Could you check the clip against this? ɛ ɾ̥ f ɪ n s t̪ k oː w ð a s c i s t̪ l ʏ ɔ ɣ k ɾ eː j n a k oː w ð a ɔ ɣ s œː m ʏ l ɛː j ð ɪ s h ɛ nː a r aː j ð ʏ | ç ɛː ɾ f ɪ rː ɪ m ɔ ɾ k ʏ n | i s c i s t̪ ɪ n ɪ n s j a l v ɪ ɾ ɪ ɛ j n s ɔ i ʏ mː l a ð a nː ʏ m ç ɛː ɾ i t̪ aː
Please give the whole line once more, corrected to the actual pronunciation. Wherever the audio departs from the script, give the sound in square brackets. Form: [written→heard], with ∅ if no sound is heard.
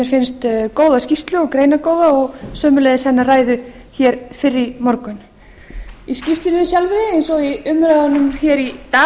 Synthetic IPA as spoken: ɛ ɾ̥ f ɪ n s t̪ k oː w ð a s c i s t̪ l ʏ ɔ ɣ k ɾ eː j n a k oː w ð a ɔ ɣ s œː m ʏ l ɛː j ð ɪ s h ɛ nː a r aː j ð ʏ | ç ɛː ɾ f ɪ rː ɪ m ɔ ɾ k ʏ n | i s c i s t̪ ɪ n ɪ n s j a l v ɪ ɾ ɪ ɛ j n s ɔ i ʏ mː [l→ɾ] a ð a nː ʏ m ç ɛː ɾ i t̪ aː